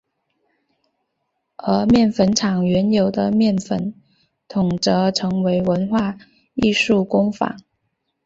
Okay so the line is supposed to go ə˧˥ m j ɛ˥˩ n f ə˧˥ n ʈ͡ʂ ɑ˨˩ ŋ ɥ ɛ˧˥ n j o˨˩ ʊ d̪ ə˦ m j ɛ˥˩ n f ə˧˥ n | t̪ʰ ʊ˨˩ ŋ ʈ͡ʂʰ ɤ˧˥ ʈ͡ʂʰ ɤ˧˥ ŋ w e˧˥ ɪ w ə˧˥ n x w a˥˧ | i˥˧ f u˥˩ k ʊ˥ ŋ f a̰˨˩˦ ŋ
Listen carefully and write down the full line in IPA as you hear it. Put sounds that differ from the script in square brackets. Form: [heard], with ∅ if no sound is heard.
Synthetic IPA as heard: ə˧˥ m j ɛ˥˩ n f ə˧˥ n [ʈ͡ʂʰ] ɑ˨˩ ŋ ɥ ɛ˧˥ n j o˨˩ ʊ d̪ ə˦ m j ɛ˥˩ n f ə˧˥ n | t̪ʰ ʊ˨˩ ŋ [ʈ͡ʂ] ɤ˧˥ ʈ͡ʂʰ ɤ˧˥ ŋ w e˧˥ ɪ w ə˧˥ n x w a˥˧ | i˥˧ [ʂ] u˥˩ k ʊ˥ ŋ f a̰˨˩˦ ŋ